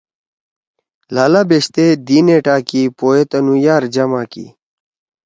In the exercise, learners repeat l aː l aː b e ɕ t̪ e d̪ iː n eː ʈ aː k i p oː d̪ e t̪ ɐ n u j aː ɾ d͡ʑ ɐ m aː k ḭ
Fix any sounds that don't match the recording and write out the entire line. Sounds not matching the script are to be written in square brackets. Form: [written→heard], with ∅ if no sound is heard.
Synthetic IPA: l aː l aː b e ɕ t̪ e d̪ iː n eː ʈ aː k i p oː [d̪→∅] e t̪ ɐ n u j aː ɾ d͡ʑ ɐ m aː k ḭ